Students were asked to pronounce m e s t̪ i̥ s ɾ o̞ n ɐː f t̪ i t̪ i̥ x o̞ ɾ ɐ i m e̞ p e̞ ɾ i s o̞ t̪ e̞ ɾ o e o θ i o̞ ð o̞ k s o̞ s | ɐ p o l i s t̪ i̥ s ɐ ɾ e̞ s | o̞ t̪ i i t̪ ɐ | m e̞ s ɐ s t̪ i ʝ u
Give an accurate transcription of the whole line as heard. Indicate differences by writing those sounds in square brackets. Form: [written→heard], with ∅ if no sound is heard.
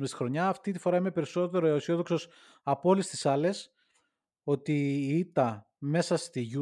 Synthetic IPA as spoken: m e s t̪ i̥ [s→x] ɾ o̞ [n→ɲ] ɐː f t̪ i t̪ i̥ [x→f] o̞ ɾ ɐ i m e̞ p e̞ ɾ i s o̞ t̪ e̞ ɾ o e o [θ→s] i o̞ ð o̞ k s o̞ s | ɐ p o l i s t̪ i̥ s ɐ [ɾ→l] e̞ s | o̞ t̪ i i t̪ ɐ | m e̞ s ɐ s t̪ i ʝ u